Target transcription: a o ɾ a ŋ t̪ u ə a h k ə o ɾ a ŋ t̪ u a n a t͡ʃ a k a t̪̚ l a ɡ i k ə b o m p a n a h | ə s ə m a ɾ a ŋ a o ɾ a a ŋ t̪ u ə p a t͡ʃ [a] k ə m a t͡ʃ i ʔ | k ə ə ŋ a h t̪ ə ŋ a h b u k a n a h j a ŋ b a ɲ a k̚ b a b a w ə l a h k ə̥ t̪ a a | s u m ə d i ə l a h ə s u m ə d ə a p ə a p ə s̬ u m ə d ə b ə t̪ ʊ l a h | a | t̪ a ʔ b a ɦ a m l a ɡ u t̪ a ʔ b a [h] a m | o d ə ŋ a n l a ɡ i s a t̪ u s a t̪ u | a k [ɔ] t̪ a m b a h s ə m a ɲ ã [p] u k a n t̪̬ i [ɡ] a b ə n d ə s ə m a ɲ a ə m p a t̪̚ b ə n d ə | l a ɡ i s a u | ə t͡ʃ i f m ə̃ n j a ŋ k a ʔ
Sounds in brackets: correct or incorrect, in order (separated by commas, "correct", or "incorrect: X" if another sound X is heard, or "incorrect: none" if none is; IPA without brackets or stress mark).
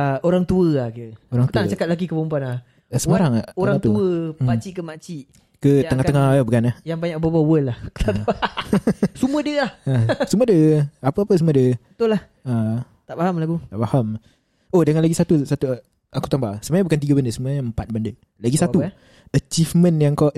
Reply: incorrect: i, correct, incorrect: u, incorrect: b, correct